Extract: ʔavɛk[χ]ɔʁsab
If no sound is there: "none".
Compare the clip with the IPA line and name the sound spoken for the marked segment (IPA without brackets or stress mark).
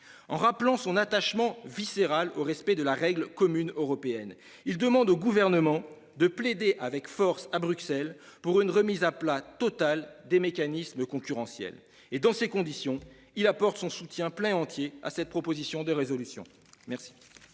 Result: f